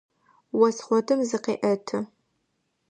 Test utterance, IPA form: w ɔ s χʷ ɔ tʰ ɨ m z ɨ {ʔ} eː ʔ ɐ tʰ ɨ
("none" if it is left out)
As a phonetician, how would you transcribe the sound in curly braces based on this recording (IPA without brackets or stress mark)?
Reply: q